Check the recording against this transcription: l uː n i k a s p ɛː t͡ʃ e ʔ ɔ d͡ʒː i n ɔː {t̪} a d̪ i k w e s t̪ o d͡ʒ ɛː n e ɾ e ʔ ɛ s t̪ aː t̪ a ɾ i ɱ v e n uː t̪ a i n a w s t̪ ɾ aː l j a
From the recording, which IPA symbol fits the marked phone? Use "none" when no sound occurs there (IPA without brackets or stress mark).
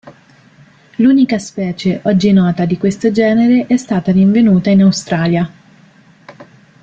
t̪